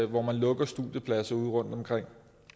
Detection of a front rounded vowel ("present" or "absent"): absent